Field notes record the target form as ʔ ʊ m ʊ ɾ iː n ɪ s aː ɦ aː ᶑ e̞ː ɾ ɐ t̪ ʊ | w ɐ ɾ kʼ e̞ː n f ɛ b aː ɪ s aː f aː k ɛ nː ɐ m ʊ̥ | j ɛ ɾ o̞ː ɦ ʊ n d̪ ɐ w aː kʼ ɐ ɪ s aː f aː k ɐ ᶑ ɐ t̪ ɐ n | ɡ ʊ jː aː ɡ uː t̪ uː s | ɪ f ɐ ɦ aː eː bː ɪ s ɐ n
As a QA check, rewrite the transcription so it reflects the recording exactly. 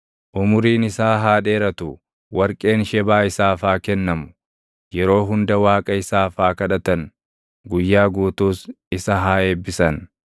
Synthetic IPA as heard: ʔ ʊ m ʊ ɾ iː n ɪ s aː ɦ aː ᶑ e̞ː ɾ ɐ t̪ ʊ | w ɐ ɾ kʼ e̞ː n ʃ ɛ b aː ɪ s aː f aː k ɛ nː ɐ m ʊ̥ | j ɛ ɾ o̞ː ɦ ʊ n d̪ ɐ w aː kʼ ɐ ɪ s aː f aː k ɐ ᶑ ɐ t̪ ɐ n | ɡ ʊ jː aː ɡ uː t̪ uː s | ɪ s ɐ ɦ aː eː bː ɪ s ɐ n